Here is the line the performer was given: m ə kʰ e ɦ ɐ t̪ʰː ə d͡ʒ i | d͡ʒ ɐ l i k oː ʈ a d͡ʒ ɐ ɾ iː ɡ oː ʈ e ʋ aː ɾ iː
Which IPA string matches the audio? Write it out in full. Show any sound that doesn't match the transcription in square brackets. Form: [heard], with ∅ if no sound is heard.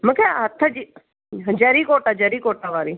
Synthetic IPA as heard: m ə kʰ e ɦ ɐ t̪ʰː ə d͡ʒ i | d͡ʒ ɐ [ɾ] i k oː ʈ a d͡ʒ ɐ ɾ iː [k] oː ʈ [a] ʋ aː ɾ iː